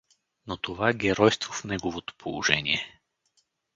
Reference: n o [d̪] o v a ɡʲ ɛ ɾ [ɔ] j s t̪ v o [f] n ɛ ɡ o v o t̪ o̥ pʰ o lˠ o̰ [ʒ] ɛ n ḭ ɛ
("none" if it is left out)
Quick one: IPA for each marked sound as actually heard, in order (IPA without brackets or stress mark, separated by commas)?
t̪, ɔ, f, ʒ